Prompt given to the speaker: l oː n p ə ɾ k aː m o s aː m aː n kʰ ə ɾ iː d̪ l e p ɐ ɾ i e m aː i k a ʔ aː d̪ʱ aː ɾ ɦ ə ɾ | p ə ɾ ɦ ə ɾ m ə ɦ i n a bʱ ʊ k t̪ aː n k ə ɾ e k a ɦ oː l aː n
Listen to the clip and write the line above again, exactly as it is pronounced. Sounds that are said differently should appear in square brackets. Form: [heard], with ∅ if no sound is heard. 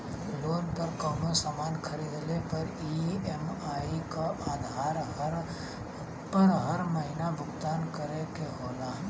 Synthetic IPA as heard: l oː n p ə ɾ k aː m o s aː m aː n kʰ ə ɾ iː d̪ l e p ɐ ɾ i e m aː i k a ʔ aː d̪ʱ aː ɾ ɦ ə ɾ | p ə ɾ ɦ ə ɾ m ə ɦ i n a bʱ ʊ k t̪ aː n k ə ɾ e k [e] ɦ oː l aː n

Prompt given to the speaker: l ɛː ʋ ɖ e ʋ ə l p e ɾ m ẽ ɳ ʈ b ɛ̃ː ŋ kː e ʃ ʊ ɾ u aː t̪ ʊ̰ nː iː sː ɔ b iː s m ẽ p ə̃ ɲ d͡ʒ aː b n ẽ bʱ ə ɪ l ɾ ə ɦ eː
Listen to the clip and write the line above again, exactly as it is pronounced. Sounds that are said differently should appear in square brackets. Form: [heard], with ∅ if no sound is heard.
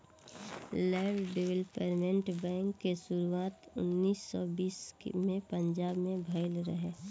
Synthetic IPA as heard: l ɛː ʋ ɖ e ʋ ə l p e ɾ m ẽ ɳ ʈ b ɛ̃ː ŋ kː e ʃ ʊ ɾ u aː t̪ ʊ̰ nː iː sː ɔ b iː s m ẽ p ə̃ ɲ d͡ʒ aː b [m] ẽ bʱ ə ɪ l ɾ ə ɦ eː

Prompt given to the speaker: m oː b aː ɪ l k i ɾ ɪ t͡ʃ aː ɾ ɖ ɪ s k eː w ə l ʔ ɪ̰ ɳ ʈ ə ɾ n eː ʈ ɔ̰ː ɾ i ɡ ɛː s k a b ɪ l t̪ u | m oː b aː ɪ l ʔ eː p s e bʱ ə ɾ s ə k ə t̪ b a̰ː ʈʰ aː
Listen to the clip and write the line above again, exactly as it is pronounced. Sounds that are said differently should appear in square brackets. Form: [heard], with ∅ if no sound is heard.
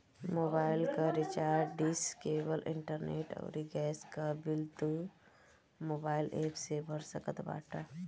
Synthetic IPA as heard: m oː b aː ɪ l k [a] ɾ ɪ t͡ʃ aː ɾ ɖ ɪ s k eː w ə l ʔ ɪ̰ ɳ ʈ ə ɾ n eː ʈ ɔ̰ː ɾ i ɡ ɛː s k a b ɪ l t̪ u | m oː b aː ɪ l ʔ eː p s e bʱ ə ɾ s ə k ə t̪ b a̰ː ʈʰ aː

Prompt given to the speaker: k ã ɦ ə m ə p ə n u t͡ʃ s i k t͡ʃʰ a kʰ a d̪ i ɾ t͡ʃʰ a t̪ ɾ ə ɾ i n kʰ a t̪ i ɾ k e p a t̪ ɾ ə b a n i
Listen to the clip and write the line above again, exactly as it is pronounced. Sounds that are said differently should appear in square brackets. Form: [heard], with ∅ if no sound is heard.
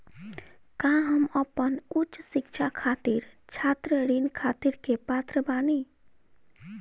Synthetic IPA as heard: k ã ɦ ə m ə p ə n u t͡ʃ s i k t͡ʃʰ a kʰ a [t̪] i ɾ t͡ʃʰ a t̪ ɾ ə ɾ i n kʰ a t̪ i ɾ k e p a t̪ ɾ ə b a n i

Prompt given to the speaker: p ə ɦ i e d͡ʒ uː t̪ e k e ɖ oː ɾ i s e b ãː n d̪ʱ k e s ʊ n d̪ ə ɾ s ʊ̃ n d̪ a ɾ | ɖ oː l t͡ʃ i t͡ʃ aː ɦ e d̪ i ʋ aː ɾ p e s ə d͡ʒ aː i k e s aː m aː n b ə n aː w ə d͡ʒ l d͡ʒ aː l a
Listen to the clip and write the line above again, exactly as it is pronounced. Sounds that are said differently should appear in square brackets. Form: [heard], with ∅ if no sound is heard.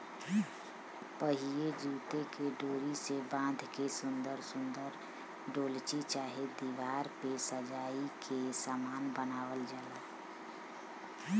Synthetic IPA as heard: p ə ɦ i e d͡ʒ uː t̪ e k e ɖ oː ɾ i s e b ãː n d̪ʱ k e s ʊ n d̪ ə ɾ s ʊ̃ n d̪ [ə] ɾ | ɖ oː l t͡ʃ i t͡ʃ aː ɦ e d̪ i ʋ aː ɾ p e s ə d͡ʒ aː i k e s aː m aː n b ə n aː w ə [∅] l d͡ʒ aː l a

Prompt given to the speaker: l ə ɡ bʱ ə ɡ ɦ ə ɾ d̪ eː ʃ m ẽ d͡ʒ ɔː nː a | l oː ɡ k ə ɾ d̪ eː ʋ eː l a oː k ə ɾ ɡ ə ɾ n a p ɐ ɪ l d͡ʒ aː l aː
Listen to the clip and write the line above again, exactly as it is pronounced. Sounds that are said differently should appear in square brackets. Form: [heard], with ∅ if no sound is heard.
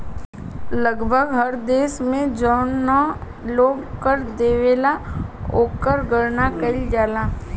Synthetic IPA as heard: l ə ɡ bʱ ə ɡ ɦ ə ɾ d̪ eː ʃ m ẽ d͡ʒ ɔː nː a | l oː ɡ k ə ɾ d̪ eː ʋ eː l a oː k ə ɾ ɡ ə ɾ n a [k] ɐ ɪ l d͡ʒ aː l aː

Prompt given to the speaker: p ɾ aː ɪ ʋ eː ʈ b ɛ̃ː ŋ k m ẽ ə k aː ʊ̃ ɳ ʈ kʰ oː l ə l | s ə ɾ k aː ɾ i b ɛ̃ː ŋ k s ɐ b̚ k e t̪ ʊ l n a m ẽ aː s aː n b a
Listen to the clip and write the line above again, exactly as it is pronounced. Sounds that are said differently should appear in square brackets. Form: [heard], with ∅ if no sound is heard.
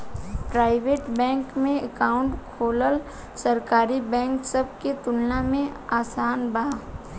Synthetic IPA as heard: p ɾ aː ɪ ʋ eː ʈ b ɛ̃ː ŋ k m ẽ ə k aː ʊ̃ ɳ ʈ kʰ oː l ə l | s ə ɾ k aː ɾ i b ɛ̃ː ŋ k s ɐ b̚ k e t̪ ʊ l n a m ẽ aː s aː n b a

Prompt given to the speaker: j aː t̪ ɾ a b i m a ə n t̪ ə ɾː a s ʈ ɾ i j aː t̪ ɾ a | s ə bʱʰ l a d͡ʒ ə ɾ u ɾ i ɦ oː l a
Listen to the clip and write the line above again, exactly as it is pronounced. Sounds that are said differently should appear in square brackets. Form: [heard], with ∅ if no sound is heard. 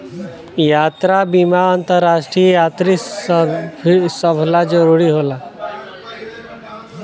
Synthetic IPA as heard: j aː t̪ ɾ a b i m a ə n t̪ ə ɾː a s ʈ ɾ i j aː t̪ ɾ [i] | s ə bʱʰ l a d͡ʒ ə ɾ u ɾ i ɦ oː l a

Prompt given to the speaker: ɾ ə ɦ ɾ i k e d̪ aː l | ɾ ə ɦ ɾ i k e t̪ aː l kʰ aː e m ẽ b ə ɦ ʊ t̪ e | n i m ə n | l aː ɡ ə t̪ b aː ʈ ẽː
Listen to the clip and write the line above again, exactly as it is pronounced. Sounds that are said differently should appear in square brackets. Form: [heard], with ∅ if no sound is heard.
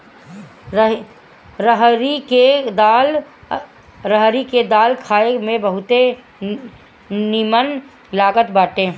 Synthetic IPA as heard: ɾ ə ɦ ɾ i k e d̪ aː l | ɾ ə ɦ ɾ i k e [d̪] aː l kʰ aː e m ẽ b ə ɦ ʊ t̪ e | n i m ə n | l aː ɡ ə t̪ b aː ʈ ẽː

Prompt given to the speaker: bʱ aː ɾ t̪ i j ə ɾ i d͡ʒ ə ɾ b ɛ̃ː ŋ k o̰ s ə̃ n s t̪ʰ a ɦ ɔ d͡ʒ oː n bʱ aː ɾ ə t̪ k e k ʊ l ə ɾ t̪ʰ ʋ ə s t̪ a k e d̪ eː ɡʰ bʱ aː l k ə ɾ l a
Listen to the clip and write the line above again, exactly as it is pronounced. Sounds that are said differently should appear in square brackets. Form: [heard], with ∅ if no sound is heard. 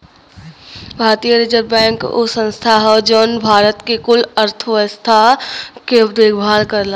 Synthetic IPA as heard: bʱ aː ɾ t̪ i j ə ɾ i d͡ʒ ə ɾ b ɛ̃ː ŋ k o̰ s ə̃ n s t̪ʰ a ɦ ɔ d͡ʒ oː n bʱ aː ɾ ə t̪ k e k ʊ l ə ɾ t̪ʰ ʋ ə s [t̪ʰ] a k e d̪ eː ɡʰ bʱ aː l k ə ɾ l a

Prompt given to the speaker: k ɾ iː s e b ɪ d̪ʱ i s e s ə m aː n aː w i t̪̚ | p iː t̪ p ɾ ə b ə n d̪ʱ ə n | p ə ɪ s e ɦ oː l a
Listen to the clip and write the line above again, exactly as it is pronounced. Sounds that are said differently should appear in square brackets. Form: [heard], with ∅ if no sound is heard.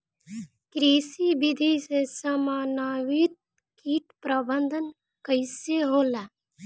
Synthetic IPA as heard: k ɾ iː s [i] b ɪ d̪ʱ i s e s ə m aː n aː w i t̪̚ | [k] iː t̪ p ɾ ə b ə n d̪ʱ ə n | [k] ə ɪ s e ɦ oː l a

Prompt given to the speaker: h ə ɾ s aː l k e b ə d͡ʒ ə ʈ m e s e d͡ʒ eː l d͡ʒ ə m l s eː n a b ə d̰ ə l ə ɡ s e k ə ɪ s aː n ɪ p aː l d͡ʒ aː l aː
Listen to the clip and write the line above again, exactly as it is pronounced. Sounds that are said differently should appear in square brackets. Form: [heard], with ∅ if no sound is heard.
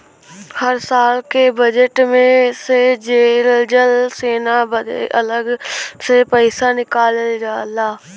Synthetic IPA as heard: h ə ɾ s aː l k e b ə d͡ʒ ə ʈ m [ẽ] s e d͡ʒ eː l d͡ʒ ə [∅] l s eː n a b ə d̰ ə l ə ɡ s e [p] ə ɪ s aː n ɪ [k] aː l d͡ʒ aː l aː

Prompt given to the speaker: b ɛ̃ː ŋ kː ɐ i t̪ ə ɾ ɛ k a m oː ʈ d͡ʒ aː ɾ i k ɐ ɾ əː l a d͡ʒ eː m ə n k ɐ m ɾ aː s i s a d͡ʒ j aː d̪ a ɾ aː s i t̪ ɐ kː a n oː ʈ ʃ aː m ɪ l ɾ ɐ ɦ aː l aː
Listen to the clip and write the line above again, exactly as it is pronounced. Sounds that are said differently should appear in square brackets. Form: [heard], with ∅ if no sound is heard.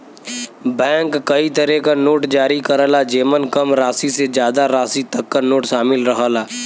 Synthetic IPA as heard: b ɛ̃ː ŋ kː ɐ i t̪ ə ɾ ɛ k a [n] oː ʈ d͡ʒ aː ɾ i k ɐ ɾ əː l a d͡ʒ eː m ə n k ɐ m ɾ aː s i s [e] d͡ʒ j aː d̪ a ɾ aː s i t̪ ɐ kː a n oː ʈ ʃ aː m ɪ l ɾ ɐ ɦ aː l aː

